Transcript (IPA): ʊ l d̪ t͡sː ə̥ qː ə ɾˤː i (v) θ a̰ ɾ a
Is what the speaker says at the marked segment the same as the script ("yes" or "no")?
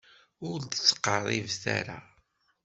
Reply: yes